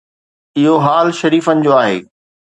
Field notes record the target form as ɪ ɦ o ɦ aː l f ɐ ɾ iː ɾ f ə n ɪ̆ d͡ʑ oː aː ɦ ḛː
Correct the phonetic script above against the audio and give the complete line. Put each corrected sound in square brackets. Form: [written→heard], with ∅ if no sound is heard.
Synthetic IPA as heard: ɪ ɦ o ɦ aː l [f→ʃ] ɐ ɾ iː [ɾ→∅] f ə n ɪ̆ d͡ʑ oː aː ɦ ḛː